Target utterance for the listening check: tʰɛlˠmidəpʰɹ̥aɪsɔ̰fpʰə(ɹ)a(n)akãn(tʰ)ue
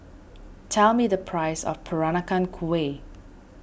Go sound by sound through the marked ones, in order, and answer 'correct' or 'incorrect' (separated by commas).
correct, correct, incorrect